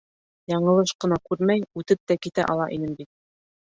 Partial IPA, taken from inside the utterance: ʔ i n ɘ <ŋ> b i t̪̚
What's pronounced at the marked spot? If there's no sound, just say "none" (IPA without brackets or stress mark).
m